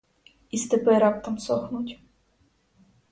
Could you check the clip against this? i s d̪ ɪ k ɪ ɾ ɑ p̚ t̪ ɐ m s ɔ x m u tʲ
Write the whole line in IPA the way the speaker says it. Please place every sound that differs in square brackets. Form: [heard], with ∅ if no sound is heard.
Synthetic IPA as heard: i s [t̪] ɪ [p] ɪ ɾ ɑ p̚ t̪ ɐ m s ɔ x [n] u tʲ